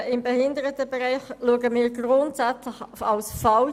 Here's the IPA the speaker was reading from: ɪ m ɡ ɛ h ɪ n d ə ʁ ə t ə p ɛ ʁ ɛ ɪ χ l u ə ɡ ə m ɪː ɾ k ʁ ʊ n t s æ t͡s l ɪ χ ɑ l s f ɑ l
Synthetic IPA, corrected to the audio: ɪ m b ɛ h ɪ n d ə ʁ ə t ə b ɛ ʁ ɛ ɪ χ l u ə ɡ ə m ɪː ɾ ɡ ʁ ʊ n t s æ t͡s l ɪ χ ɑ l s f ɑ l